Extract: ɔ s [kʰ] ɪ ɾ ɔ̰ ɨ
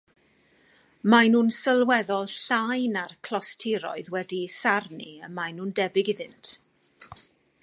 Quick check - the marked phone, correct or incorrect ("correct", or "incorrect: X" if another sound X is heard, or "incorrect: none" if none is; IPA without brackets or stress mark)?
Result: incorrect: tʰ